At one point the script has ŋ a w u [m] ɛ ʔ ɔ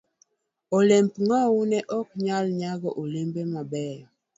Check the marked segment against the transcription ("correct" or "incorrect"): incorrect